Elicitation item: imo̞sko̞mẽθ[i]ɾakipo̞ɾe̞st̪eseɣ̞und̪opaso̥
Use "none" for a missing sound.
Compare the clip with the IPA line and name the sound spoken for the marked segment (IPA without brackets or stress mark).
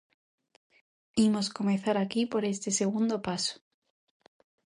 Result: a